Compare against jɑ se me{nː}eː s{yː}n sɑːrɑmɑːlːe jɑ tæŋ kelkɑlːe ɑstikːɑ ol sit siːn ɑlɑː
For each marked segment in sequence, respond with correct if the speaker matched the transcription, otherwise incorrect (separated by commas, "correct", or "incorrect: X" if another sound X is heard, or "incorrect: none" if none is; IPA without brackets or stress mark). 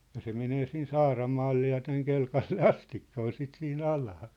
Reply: incorrect: n, incorrect: iː